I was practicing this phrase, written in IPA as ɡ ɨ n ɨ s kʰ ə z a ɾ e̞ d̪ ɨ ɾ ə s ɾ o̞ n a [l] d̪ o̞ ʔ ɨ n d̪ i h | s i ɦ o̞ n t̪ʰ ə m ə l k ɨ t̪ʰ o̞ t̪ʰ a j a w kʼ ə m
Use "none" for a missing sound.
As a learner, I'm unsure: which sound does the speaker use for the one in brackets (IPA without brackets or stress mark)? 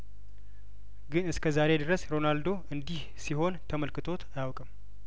l